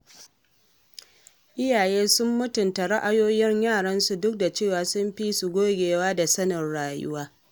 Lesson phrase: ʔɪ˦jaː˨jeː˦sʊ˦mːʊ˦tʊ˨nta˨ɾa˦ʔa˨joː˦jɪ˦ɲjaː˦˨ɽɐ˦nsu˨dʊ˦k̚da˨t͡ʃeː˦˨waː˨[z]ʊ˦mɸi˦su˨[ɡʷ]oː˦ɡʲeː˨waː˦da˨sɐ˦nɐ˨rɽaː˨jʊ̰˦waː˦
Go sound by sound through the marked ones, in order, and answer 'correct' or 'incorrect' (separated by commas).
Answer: incorrect, correct